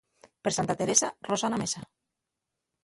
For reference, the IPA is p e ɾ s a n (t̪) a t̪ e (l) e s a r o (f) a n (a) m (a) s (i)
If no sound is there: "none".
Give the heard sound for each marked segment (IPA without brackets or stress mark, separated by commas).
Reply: t̪, ɾ, s, a, e, a